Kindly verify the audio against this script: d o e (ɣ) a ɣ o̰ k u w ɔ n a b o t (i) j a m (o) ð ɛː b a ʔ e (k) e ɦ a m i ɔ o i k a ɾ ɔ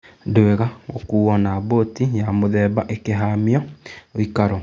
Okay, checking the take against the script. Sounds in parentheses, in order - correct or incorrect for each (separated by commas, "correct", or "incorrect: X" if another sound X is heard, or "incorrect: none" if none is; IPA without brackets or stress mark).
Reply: correct, correct, correct, correct